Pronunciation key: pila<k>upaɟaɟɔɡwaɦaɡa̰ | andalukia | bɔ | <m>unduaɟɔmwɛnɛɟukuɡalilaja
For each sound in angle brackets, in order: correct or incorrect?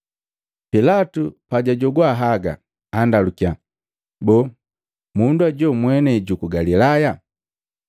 incorrect: t, correct

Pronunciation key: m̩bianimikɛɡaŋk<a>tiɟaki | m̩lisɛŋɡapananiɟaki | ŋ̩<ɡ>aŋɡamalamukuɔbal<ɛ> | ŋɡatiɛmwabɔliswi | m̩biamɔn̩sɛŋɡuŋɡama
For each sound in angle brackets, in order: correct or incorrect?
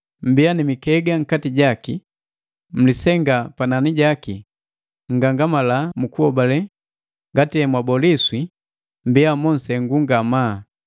correct, correct, correct

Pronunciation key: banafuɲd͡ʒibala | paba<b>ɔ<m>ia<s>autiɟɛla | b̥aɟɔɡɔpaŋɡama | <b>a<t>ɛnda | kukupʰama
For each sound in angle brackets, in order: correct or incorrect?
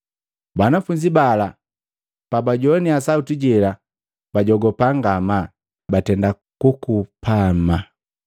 incorrect: ɟ, incorrect: n, correct, correct, correct

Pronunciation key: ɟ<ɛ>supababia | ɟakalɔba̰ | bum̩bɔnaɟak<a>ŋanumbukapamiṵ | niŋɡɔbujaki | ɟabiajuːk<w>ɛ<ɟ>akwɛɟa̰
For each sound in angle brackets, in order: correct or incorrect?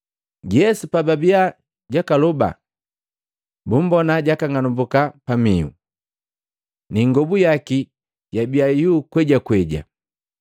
correct, correct, correct, correct

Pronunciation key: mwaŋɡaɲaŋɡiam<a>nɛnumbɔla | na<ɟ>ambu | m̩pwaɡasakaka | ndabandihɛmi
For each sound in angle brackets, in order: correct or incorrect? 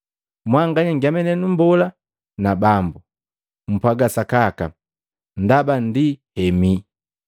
incorrect: ɛ, incorrect: b

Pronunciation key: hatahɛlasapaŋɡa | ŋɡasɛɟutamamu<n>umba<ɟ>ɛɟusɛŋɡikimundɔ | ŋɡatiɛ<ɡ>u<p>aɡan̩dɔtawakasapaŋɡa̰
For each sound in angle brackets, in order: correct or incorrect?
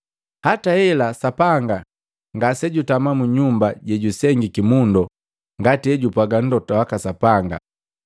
incorrect: ɲ, correct, incorrect: ɟ, correct

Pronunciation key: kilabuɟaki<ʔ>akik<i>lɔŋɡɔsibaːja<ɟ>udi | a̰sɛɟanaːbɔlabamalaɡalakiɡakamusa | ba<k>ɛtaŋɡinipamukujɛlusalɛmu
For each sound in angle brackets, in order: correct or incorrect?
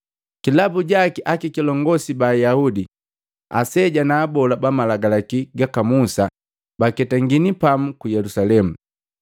correct, correct, incorrect: none, correct

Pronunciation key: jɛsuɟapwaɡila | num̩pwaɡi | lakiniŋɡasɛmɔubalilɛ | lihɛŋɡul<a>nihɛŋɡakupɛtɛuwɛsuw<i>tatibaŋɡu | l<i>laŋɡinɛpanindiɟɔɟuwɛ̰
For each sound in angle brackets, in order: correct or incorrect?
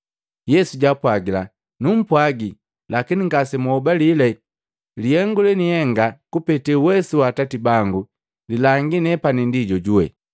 incorrect: ɛ, incorrect: a, correct

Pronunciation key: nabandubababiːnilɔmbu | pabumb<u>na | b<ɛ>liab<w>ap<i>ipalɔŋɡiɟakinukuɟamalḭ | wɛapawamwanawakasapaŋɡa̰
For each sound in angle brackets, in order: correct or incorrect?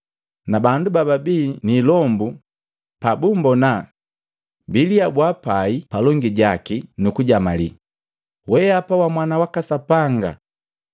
incorrect: ɔ, incorrect: i, correct, incorrect: a

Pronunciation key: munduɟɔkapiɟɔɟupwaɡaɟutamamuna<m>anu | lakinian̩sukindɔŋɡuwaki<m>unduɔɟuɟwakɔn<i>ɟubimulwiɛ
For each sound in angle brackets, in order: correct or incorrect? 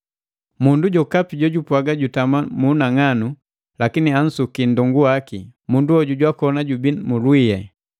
incorrect: ŋ, correct, incorrect: a

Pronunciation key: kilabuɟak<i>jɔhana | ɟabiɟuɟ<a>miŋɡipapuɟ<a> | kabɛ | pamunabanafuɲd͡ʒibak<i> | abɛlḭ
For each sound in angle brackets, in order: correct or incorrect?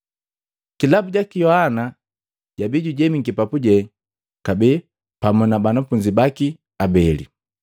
correct, incorrect: ɛ, incorrect: ɛ, correct

